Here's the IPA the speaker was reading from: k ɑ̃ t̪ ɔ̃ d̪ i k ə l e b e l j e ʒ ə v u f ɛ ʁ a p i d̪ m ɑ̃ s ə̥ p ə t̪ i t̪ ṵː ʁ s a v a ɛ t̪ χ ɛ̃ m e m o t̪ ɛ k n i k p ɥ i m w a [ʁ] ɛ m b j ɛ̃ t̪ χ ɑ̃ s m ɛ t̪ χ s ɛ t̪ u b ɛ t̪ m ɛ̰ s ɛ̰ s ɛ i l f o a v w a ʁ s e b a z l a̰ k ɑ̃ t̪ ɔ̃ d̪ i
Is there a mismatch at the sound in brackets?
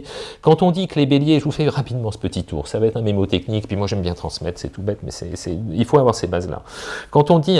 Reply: yes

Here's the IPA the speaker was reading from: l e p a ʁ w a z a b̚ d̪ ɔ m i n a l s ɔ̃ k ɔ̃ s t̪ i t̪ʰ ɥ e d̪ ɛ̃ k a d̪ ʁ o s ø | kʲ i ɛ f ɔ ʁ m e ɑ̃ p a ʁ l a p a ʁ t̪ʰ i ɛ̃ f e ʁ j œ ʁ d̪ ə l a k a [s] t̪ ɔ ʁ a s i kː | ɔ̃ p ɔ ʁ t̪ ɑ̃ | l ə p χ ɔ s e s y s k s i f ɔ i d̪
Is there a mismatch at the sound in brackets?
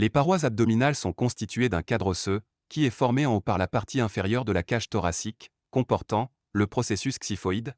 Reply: yes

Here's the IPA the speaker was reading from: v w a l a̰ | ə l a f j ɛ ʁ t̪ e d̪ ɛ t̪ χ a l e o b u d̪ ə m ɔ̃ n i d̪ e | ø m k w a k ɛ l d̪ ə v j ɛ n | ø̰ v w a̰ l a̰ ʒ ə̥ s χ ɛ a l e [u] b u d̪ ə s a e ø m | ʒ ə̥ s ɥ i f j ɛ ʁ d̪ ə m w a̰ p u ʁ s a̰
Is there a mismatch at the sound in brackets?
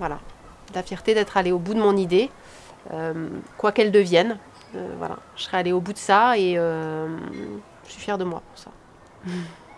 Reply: yes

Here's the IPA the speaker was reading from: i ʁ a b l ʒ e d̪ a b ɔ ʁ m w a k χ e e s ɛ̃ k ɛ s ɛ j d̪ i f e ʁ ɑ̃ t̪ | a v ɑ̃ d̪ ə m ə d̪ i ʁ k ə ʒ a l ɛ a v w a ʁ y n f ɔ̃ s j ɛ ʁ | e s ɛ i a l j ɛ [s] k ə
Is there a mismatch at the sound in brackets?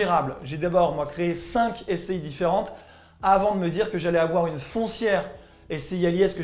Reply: no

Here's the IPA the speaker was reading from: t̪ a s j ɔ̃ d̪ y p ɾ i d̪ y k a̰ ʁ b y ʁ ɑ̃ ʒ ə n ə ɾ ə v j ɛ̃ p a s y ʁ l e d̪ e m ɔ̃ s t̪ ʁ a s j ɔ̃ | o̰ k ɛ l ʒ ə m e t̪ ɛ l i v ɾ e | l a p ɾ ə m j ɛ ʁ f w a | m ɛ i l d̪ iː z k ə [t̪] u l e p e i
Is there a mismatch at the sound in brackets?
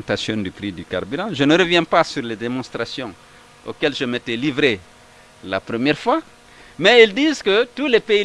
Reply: no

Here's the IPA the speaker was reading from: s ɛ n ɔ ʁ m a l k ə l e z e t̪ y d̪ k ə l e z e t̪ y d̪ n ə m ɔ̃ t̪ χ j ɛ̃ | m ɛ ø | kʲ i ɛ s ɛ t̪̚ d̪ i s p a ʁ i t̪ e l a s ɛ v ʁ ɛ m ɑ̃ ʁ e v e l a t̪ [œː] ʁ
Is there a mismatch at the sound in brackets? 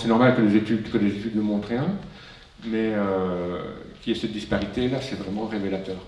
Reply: no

